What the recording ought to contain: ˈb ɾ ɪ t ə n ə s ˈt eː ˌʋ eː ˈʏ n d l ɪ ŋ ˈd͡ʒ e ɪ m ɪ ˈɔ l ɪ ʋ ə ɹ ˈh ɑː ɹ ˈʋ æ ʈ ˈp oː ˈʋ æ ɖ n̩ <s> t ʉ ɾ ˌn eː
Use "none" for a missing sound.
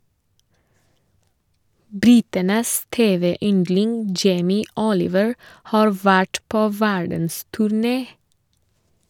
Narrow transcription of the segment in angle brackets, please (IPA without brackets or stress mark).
s